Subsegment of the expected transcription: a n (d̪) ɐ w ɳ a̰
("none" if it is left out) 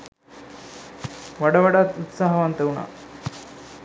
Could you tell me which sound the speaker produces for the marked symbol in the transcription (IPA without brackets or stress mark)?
t̪